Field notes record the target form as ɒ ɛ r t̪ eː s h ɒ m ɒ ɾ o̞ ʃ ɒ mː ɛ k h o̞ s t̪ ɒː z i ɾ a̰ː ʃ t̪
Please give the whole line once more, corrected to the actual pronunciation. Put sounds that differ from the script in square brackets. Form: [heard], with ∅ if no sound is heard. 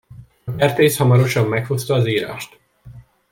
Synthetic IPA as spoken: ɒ ɛ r t̪ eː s h ɒ m ɒ ɾ o̞ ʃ ɒ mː ɛ k h o̞ s t̪ ɒː z [iː] ɾ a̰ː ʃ t̪